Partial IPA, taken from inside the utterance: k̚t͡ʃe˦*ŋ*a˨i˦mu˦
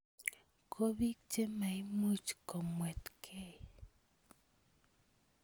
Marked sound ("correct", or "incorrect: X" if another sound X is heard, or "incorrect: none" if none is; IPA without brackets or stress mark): incorrect: m